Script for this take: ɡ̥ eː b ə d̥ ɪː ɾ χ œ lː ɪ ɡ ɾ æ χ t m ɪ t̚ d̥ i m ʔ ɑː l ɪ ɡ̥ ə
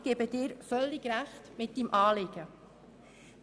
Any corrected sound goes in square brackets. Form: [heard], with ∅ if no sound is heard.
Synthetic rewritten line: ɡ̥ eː b ə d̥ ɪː ɾ [f] œ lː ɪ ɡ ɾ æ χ t m ɪ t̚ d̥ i m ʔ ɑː l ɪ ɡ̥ ə